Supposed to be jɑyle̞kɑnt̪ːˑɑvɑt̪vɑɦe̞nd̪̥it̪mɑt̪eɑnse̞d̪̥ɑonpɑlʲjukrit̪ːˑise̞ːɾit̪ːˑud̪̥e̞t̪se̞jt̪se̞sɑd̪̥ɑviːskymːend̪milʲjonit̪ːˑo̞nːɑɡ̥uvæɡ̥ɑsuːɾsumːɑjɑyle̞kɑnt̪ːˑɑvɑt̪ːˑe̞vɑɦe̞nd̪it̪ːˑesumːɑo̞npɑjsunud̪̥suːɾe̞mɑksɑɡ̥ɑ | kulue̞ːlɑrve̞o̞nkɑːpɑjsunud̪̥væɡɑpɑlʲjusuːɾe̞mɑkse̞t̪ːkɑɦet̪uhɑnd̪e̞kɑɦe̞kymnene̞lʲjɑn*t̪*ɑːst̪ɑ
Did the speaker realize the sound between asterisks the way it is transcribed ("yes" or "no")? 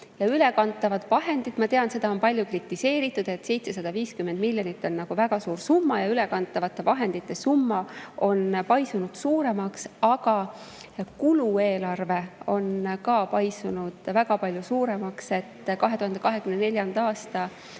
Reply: no